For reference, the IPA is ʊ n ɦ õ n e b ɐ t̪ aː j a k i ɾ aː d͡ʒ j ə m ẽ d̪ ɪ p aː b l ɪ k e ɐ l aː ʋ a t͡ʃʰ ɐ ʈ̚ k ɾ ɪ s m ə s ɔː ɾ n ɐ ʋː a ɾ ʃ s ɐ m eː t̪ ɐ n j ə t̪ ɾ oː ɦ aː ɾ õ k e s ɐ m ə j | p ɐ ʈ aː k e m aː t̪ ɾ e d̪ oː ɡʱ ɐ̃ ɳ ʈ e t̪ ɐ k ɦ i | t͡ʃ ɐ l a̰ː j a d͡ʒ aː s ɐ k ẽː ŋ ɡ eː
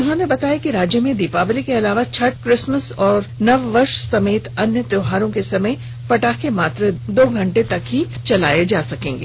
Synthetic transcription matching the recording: ʊ n ɦ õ n e b ɐ t̪ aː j a k i ɾ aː d͡ʒ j ə m ẽ d̪ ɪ p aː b l i k e ɐ l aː ʋ a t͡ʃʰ ɐ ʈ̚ k ɾ ɪ s m ə s ɔː ɾ n ɐ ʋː ɐ ɾ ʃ s ɐ m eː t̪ ɐ n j ə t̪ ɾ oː ɦ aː ɾ õ k e s ɐ m ə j | p ɐ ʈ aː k e m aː t̪ ɾ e d̪ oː ɡʱ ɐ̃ ɳ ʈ e t̪ ɐ k ɦ i | t͡ʃ ɐ l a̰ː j e d͡ʒ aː s ɐ k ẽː ŋ ɡ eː